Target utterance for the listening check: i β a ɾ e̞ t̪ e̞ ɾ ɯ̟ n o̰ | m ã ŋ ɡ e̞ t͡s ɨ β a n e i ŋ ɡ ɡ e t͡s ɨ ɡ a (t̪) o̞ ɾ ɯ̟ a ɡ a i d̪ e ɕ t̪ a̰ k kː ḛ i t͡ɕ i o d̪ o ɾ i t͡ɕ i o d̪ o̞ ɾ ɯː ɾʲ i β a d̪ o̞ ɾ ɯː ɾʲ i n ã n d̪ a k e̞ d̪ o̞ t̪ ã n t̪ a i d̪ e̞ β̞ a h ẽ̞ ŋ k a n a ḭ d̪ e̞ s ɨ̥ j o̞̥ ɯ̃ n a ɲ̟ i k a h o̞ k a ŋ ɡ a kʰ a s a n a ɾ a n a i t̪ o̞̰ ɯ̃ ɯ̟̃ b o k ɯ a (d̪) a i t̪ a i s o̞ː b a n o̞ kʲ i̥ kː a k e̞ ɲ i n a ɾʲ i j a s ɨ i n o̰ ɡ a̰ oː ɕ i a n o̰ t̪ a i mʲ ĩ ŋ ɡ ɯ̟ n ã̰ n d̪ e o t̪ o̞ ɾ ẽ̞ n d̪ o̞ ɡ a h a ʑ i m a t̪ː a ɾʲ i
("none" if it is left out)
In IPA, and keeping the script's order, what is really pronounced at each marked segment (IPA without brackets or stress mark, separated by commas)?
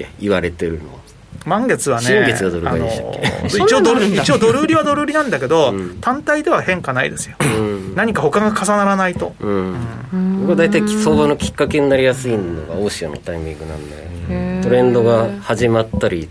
d̪, d̪